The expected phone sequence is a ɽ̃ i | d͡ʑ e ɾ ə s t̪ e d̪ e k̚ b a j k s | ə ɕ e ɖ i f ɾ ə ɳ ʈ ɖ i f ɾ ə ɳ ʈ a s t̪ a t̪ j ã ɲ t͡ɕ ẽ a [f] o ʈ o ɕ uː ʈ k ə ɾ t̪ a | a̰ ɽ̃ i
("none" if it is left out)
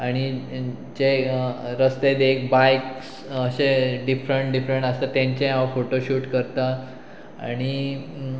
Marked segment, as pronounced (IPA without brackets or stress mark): f